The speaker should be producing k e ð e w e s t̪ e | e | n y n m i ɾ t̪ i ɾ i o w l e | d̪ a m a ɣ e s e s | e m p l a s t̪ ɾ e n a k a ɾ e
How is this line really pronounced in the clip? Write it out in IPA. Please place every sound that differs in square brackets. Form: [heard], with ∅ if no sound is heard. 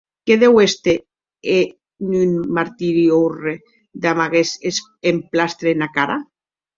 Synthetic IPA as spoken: k e ð e w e s t̪ e | e | n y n m [a] ɾ t̪ i ɾ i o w [r] e | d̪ a m a ɣ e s e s | e m p l a s t̪ ɾ e n a k a ɾ [a]